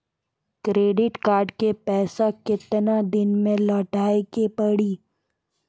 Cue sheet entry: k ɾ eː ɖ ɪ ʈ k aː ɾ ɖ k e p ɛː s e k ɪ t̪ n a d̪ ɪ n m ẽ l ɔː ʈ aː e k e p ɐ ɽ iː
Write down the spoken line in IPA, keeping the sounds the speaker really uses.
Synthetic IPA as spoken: k ɾ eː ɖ ɪ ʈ k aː ɾ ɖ k e p ɛː s a k ɪ t̪ n a d̪ ɪ n m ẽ l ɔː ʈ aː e k e p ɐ ɽ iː